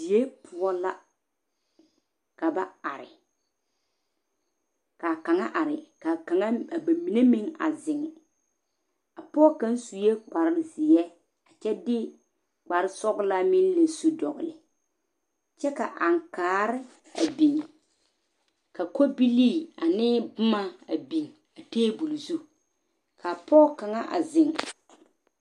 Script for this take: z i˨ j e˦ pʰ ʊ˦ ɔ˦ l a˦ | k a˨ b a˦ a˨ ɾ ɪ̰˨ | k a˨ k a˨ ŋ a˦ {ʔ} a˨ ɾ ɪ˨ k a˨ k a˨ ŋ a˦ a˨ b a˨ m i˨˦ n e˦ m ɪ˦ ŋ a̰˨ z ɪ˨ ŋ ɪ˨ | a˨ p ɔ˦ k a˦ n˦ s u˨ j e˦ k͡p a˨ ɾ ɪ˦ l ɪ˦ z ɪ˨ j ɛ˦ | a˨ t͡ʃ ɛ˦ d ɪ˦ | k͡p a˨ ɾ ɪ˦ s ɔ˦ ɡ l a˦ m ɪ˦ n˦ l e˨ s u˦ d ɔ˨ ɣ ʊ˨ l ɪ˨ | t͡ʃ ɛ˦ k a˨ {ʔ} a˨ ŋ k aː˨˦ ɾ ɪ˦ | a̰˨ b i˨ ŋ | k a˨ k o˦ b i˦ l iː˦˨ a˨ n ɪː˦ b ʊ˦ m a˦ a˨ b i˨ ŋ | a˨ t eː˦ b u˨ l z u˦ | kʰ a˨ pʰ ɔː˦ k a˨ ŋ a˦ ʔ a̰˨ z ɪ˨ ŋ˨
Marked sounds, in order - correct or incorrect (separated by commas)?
correct, correct